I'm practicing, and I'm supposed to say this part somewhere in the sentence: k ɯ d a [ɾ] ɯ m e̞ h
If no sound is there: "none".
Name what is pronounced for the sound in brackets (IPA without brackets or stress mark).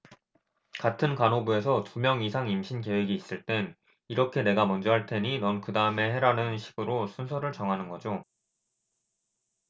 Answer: none